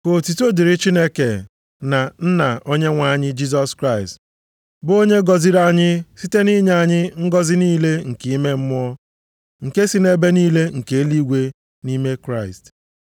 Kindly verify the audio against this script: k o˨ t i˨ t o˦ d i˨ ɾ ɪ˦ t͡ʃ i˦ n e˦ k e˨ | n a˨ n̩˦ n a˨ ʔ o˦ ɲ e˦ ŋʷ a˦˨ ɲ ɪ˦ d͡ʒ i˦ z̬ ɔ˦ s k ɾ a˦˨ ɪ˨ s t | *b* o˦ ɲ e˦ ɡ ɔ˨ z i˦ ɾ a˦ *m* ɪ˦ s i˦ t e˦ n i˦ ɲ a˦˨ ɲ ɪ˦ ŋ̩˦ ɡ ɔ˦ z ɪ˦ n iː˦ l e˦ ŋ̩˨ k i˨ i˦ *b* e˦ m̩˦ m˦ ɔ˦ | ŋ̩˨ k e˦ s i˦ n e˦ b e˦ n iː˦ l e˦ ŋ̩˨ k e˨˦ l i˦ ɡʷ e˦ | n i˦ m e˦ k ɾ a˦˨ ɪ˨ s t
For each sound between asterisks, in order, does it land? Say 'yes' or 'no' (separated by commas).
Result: yes, no, no